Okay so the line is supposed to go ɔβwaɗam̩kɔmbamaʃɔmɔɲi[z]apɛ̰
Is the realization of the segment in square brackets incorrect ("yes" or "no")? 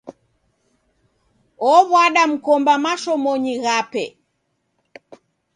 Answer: yes